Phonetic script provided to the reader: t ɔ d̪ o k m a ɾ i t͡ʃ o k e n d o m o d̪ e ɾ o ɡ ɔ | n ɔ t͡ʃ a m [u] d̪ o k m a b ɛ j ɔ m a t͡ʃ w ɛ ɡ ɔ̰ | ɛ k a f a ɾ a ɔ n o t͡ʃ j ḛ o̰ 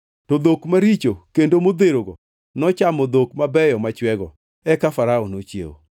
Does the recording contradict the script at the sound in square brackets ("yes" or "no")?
yes